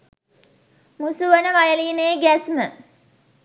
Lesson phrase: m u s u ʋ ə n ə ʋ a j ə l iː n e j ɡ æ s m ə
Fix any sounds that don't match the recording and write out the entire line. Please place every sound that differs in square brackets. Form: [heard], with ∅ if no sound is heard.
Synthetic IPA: m u s u ʋ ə n ə ʋ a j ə l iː n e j ɡ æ s m ə